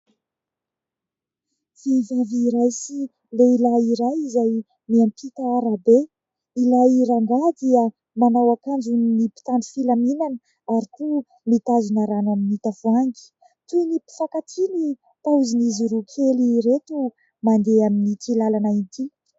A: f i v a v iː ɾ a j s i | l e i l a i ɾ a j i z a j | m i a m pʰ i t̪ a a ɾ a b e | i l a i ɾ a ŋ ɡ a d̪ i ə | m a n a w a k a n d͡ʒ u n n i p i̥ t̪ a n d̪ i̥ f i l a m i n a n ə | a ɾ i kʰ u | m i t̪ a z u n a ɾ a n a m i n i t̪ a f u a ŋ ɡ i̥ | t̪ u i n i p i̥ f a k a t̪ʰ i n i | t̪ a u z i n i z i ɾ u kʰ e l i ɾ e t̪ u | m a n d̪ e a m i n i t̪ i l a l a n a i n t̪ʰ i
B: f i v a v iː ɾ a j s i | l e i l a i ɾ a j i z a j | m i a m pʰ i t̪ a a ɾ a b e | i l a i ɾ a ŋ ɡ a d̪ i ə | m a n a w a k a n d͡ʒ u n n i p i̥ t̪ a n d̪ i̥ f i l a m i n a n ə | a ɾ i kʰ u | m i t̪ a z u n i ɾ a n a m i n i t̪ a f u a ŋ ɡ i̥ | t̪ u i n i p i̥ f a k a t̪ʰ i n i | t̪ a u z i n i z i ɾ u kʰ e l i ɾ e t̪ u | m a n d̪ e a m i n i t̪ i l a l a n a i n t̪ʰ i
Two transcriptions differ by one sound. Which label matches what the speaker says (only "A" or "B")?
A